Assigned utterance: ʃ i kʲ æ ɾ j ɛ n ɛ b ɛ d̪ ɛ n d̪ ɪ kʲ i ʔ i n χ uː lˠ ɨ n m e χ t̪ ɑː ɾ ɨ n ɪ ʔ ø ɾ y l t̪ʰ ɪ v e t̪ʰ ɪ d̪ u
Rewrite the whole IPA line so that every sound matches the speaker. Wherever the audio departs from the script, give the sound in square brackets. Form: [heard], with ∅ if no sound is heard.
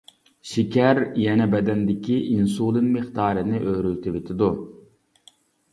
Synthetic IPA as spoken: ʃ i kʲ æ ɾ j ɛ n ɛ b ɛ d̪ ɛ n d̪ ɪ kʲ i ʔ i n [s] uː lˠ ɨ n m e χ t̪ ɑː ɾ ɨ n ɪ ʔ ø ɾ y l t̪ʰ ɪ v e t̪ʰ ɪ d̪ u